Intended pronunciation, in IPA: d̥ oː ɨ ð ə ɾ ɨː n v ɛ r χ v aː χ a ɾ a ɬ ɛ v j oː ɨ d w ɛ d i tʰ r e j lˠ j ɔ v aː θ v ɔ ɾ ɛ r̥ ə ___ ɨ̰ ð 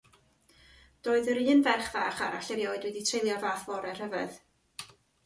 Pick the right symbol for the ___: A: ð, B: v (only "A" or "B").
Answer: B